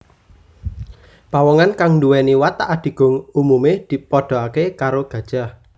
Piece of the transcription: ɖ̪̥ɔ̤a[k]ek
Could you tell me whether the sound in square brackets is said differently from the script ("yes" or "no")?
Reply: no